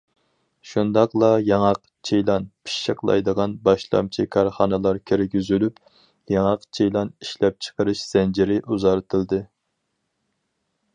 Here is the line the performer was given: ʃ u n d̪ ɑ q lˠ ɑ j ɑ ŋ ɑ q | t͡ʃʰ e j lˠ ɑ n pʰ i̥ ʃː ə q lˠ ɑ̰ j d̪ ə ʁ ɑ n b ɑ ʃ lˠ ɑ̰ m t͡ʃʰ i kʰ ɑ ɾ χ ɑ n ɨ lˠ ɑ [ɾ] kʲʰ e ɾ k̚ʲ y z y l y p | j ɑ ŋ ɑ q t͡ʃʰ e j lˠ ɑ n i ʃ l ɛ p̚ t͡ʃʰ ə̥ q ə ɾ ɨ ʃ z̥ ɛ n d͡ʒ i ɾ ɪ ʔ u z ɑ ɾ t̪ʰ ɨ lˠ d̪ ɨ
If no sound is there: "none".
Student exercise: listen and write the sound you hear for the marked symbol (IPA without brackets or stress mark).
ɾ